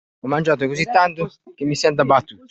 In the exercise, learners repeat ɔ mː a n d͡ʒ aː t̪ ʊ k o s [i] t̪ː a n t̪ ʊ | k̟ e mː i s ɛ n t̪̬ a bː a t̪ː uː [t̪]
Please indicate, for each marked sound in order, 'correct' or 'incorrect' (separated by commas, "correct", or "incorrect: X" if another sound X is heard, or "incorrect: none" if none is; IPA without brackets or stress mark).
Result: correct, correct